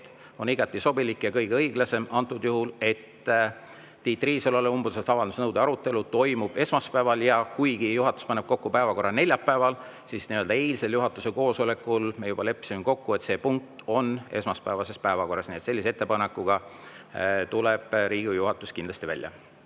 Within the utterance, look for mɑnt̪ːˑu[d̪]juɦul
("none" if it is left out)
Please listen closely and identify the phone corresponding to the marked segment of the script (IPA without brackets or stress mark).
d̪